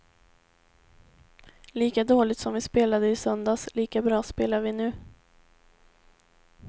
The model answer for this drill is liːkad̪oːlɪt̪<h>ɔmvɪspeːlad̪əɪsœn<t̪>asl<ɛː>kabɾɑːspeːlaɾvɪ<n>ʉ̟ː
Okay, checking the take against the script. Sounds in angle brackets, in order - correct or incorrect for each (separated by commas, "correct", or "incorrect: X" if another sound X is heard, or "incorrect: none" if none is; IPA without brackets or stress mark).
incorrect: s, incorrect: d̪, incorrect: iː, correct